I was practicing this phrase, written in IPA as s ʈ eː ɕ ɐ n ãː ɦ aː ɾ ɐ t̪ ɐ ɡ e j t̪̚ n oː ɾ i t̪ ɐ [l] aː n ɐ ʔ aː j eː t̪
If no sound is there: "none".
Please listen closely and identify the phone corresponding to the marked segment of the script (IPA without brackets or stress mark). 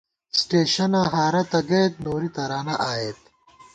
ɾ